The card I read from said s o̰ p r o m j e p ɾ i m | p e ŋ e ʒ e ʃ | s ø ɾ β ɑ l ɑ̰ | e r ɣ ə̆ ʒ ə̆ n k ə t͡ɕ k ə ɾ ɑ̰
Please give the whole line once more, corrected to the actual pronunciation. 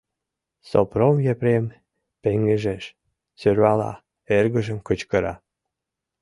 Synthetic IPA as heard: s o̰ p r o m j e p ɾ e m | p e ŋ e ʒ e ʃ | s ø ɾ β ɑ l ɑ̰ | e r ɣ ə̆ ʒ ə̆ m k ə t͡ɕ k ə ɾ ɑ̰